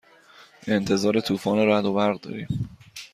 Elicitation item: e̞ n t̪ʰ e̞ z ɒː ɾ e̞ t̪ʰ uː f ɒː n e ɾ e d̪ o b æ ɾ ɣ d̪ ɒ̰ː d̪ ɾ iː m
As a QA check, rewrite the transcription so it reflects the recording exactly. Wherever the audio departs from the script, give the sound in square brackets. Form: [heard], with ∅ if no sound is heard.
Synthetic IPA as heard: e̞ n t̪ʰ e̞ z ɒː ɾ e̞ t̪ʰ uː f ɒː n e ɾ [æ] d̪ o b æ ɾ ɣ d̪ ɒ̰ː [∅] ɾ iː m